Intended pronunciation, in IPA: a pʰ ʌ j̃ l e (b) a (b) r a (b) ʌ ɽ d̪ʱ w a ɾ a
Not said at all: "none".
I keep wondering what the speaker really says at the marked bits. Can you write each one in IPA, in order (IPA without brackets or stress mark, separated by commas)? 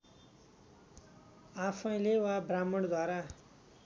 w, b, m